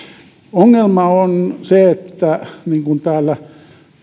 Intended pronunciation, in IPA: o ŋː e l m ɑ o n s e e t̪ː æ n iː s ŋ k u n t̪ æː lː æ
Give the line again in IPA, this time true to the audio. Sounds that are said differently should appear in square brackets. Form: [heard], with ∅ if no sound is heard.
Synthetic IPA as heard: o ŋː e l m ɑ o n s e e t̪ː æ n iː [∅] ŋ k u n t̪ æː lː æ